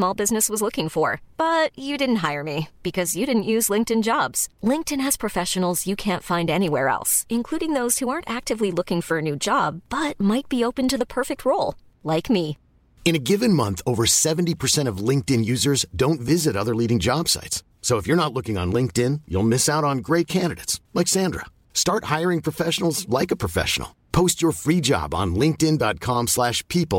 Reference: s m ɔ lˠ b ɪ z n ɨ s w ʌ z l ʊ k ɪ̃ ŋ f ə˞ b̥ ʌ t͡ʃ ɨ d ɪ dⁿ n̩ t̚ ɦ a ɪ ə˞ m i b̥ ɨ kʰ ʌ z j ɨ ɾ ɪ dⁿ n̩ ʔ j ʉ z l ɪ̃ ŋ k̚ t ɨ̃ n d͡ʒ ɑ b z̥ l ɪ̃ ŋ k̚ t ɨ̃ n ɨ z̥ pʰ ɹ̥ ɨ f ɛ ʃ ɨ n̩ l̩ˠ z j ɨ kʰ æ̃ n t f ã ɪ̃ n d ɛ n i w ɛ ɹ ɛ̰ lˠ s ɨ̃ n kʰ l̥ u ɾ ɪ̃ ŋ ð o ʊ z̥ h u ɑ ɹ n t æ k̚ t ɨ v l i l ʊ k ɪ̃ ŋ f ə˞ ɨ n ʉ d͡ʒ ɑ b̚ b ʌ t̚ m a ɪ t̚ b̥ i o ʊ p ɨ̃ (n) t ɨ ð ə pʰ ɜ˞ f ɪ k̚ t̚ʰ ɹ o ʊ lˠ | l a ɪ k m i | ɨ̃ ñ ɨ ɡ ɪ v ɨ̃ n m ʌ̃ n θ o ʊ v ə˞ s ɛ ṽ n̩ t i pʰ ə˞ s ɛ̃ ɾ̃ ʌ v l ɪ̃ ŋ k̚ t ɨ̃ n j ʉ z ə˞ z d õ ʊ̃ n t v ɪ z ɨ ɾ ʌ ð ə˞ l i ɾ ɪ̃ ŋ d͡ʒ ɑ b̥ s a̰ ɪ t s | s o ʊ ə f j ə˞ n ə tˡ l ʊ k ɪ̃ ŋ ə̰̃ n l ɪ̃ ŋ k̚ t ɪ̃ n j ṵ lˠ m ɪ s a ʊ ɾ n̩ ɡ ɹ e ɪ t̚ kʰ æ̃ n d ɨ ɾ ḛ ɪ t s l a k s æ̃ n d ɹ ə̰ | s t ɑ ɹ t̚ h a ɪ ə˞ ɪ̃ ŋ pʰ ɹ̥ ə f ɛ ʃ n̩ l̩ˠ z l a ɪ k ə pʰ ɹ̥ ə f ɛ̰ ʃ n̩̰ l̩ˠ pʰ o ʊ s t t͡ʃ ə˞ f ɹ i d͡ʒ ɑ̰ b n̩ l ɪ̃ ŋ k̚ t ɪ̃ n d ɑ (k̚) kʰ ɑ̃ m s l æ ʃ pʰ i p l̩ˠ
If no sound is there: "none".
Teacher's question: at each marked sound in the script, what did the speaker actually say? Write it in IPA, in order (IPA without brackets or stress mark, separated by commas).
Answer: n, t̚